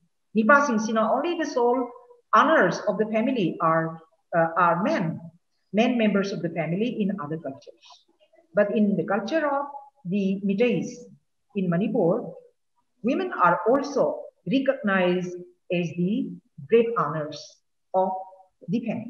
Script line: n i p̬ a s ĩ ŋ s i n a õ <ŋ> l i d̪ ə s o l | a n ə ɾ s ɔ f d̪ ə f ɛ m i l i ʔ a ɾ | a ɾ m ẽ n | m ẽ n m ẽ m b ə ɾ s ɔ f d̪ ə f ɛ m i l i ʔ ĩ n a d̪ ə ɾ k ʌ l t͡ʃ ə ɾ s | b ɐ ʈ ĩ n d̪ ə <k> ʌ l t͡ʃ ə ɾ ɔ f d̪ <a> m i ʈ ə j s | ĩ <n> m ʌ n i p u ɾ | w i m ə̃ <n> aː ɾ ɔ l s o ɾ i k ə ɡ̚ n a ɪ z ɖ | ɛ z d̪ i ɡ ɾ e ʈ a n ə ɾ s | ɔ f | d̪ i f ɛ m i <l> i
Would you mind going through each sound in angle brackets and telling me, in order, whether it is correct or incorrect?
incorrect: n, correct, incorrect: i, correct, correct, correct

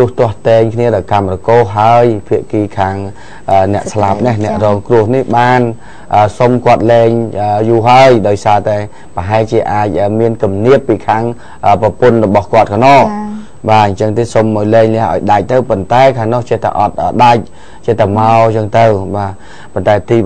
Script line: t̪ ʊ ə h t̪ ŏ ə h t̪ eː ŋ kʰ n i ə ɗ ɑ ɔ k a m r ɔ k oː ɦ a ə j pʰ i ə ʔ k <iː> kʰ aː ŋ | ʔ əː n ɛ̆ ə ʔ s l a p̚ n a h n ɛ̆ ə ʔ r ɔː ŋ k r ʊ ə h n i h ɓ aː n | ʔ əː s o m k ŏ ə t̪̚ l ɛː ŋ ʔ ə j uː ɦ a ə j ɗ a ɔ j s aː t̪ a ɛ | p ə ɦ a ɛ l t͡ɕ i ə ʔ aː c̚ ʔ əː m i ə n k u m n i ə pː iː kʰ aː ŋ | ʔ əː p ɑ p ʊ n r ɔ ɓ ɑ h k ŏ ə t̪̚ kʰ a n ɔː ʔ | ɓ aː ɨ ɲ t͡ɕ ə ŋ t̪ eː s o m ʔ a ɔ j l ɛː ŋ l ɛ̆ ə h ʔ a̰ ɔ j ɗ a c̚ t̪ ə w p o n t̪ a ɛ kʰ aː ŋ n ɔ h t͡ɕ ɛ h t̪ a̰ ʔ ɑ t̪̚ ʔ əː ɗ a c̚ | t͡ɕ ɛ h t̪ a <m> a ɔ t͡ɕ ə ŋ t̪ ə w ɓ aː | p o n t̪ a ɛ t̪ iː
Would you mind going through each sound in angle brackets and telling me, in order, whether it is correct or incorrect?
correct, correct

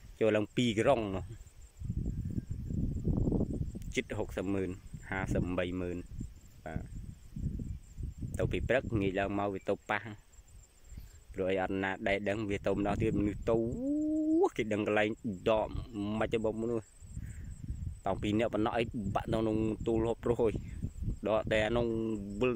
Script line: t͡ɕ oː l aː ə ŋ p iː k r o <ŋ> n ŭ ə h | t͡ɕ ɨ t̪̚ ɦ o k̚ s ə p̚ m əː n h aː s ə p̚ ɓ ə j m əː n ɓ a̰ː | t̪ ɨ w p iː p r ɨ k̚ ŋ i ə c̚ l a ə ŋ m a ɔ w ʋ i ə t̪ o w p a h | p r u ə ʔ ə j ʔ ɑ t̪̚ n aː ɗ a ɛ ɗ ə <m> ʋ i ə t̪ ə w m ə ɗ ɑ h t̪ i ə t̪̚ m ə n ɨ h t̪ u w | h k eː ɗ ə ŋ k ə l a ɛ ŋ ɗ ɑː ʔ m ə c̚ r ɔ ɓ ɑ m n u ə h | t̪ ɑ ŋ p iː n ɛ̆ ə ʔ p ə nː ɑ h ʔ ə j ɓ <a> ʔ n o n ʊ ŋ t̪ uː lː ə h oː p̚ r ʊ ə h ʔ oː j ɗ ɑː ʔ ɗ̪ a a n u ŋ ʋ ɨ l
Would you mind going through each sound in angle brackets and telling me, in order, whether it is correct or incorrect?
correct, incorrect: ŋ, correct

